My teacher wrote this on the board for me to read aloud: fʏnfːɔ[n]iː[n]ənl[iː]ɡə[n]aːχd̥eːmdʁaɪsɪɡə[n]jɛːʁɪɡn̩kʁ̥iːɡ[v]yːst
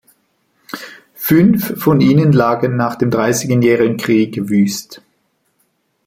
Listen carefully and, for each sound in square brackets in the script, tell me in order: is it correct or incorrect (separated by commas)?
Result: correct, correct, incorrect, incorrect, correct, correct